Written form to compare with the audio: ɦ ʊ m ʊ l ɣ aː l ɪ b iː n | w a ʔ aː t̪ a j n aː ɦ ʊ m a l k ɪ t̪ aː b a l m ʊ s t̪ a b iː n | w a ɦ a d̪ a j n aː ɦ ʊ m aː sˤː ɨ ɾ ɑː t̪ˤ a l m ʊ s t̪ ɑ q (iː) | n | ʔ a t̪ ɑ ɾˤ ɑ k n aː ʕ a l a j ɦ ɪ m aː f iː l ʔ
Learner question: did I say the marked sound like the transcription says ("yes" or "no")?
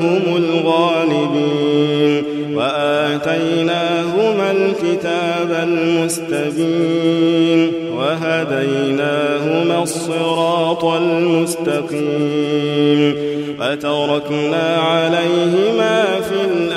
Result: yes